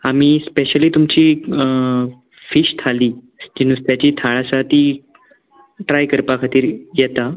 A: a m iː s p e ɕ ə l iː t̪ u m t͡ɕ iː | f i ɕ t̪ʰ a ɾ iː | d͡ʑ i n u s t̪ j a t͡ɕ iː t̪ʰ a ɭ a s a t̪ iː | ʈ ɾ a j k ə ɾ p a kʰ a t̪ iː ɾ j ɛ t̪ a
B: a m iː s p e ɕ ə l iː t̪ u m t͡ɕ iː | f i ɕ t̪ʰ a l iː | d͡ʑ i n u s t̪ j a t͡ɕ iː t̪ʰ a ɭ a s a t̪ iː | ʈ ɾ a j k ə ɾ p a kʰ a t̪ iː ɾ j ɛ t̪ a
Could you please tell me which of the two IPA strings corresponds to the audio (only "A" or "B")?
B